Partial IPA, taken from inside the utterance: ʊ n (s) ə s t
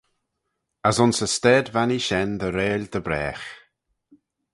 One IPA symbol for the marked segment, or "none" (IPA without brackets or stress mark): s